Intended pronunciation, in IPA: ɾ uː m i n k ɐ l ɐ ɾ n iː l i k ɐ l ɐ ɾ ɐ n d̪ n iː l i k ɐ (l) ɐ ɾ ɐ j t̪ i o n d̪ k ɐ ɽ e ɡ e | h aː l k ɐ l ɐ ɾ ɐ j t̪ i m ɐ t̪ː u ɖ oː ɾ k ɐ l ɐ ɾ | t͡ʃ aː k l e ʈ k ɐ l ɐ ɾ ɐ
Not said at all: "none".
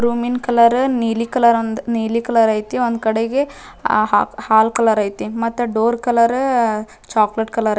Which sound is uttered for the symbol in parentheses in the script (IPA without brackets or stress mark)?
l